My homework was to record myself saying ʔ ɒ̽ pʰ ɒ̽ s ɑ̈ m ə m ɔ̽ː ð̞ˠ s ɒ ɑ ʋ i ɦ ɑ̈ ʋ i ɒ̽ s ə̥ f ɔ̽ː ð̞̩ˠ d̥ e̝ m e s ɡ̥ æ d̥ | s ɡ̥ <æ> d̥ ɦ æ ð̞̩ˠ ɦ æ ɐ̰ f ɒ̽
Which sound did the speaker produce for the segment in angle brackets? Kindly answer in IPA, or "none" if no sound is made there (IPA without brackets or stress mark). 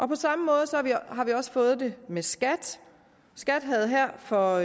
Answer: æ